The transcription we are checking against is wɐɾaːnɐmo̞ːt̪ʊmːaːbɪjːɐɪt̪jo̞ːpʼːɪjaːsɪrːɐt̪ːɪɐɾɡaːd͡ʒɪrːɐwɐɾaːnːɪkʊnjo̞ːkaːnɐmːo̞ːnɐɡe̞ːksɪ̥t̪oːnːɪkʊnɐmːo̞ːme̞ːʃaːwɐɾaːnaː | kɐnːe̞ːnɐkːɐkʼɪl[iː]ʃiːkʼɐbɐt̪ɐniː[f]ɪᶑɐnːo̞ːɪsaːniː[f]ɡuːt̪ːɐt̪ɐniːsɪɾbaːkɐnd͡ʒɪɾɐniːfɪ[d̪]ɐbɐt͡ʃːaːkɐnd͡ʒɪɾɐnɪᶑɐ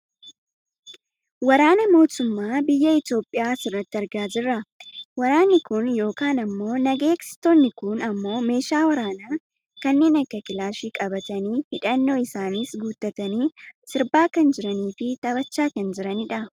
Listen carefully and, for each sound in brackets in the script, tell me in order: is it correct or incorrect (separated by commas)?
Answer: incorrect, incorrect, incorrect, incorrect